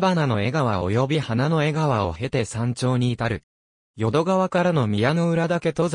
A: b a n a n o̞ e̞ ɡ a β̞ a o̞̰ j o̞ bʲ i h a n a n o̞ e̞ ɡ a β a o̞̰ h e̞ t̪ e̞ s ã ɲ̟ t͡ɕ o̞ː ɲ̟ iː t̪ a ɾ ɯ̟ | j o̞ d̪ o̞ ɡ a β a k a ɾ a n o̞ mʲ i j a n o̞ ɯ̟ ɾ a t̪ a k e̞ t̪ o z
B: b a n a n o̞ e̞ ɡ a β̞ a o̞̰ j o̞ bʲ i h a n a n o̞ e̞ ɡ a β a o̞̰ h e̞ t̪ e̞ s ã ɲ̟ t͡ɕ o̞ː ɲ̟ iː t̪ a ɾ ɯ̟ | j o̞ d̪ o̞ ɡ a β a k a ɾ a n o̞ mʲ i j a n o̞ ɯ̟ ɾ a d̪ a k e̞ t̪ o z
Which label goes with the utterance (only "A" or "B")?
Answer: B